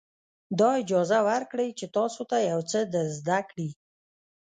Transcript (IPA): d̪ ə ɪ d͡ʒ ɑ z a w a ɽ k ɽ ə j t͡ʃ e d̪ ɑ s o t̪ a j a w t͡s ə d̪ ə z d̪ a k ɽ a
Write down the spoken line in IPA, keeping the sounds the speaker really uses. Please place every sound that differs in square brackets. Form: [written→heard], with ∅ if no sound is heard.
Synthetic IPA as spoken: d̪ [ə→ɑ] ɪ d͡ʒ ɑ z a w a [ɽ→ɾ] k ɽ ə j t͡ʃ e [d̪→t̪] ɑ s o t̪ a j a w t͡s ə d̪ ə z d̪ a k ɽ [a→i]